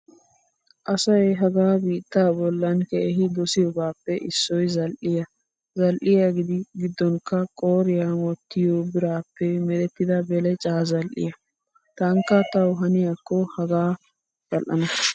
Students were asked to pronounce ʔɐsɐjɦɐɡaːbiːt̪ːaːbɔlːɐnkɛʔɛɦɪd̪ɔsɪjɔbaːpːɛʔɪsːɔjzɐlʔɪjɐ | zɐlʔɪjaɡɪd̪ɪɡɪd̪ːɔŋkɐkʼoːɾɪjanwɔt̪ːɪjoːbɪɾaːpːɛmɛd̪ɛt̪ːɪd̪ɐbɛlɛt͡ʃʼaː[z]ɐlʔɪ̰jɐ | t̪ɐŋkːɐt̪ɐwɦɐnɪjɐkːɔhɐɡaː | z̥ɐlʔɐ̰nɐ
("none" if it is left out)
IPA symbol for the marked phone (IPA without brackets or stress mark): z